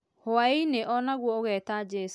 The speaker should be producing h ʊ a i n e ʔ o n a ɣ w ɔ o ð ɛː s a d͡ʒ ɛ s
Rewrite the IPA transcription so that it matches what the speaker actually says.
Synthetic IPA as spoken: h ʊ a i n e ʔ ɔ n a ɣ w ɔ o ɣ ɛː t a d͡ʒ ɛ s